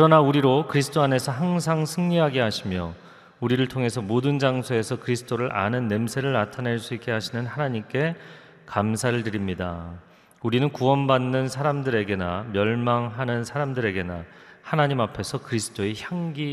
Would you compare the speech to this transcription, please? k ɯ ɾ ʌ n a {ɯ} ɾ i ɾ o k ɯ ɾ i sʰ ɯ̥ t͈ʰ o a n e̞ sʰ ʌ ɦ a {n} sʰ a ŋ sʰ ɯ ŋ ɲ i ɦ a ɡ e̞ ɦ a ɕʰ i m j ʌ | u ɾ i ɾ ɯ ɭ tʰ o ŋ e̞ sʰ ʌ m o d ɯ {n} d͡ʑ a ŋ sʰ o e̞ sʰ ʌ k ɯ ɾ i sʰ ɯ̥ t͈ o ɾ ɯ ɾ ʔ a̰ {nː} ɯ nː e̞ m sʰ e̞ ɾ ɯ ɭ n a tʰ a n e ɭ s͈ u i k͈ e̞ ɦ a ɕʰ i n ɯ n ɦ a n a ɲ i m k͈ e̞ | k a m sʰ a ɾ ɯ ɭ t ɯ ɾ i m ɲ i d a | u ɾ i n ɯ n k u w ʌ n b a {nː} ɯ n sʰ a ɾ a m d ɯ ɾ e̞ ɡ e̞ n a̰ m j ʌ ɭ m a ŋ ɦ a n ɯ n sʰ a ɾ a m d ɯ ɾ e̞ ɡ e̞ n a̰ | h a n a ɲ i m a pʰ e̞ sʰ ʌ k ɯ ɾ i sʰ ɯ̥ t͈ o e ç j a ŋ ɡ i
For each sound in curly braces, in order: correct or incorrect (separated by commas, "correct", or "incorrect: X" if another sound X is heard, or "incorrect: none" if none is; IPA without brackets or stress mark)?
incorrect: u, incorrect: ŋ, correct, incorrect: n, correct